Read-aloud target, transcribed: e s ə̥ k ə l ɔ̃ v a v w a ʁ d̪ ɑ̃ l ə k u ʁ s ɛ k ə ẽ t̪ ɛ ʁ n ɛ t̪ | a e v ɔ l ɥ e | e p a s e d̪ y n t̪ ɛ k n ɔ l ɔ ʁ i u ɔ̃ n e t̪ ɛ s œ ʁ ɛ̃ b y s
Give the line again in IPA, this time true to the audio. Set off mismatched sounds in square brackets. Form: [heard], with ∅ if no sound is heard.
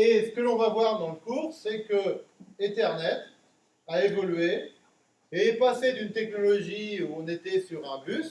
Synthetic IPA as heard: e s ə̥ k ə l ɔ̃ v a v w a ʁ d̪ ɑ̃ l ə k u ʁ s ɛ k ə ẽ t̪ ɛ ʁ n ɛ t̪ | a e v ɔ l ɥ e | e p a s e d̪ y n t̪ ɛ k n ɔ l ɔ [ʒ] i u ɔ̃ n e t̪ ɛ s [y] ʁ ɛ̃ b y s

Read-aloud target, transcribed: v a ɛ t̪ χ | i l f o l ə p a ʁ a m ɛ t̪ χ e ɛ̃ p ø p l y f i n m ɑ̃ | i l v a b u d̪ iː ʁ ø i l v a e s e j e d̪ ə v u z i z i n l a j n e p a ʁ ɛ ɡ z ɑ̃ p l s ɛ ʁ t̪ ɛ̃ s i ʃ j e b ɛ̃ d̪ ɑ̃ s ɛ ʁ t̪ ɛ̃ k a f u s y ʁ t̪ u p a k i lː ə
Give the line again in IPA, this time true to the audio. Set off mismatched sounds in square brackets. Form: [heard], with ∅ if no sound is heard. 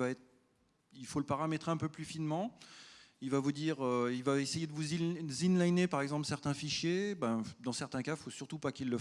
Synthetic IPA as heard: v a ɛ t̪ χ | i l f o l ə p a ʁ a m ɛ t̪ χ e ɛ̃ p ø p l y f i n m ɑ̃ | i l v a [v] u d̪ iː ʁ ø i l v a e s e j e d̪ ə v u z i z i n l a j n e p a ʁ ɛ ɡ z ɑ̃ p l s ɛ ʁ t̪ ɛ̃ [f] i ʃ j e b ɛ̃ d̪ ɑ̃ s ɛ ʁ t̪ ɛ̃ k a f [o] s y ʁ t̪ u p a k i lː ə

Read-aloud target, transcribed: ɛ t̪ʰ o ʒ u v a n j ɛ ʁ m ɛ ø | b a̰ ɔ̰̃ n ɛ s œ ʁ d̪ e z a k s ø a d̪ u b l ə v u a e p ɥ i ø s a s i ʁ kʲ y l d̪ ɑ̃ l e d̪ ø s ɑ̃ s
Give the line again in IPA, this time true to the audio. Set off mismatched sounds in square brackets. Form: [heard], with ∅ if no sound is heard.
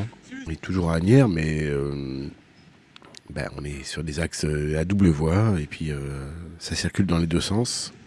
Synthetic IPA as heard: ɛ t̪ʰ [u] ʒ u [ʁ] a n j ɛ ʁ m ɛ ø | b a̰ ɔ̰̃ n ɛ s [y] ʁ d̪ e z a k s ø a d̪ u b l ə v [w] a e p ɥ i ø s a s i ʁ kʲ y l d̪ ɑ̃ l e d̪ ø s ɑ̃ s

